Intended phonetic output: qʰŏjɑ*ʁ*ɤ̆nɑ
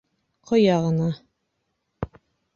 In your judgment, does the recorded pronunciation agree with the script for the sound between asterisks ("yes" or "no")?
yes